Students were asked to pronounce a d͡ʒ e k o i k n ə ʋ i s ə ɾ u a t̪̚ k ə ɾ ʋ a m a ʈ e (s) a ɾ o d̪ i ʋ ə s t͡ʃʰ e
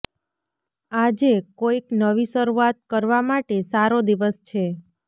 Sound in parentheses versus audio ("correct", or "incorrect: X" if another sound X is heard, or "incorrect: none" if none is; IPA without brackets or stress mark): correct